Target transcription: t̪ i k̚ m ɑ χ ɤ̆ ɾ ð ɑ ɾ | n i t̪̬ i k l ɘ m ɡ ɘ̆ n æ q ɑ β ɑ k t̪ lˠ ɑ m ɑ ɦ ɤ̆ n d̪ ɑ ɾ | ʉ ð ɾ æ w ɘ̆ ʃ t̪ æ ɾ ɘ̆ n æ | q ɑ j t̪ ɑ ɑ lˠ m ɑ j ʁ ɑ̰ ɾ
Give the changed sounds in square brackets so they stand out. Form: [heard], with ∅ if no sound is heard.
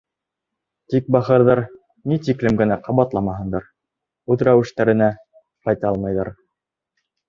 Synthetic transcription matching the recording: t̪ i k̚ [b] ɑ χ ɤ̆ ɾ ð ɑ ɾ | n i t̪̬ i k l ɘ m ɡ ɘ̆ n æ q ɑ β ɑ [∅] t̪ lˠ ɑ m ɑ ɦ ɤ̆ n d̪ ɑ ɾ | ʉ ð ɾ æ w ɘ̆ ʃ t̪ æ ɾ ɘ̆ n æ | q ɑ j t̪ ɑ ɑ lˠ m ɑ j [ð] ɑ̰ ɾ